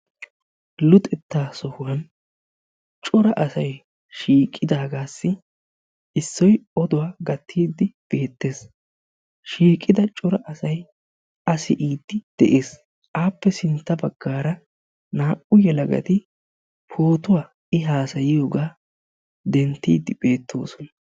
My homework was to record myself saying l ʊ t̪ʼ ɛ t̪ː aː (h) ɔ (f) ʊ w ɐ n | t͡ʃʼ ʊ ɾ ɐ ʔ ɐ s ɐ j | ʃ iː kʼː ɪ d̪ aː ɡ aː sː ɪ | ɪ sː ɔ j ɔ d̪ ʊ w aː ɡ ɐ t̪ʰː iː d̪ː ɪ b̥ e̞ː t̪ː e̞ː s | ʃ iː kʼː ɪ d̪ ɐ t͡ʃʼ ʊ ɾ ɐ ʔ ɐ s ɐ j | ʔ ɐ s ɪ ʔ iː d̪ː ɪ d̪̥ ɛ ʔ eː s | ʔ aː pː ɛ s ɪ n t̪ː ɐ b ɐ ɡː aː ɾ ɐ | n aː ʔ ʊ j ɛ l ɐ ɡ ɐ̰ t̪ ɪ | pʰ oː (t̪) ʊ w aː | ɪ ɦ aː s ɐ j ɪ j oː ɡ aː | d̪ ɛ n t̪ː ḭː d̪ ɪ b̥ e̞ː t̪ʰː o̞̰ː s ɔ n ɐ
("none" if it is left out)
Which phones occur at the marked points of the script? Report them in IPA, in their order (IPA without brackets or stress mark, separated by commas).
s, h, t̪